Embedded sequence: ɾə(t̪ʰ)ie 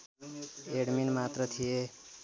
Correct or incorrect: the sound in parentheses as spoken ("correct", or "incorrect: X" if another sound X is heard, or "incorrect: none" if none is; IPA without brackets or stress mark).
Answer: correct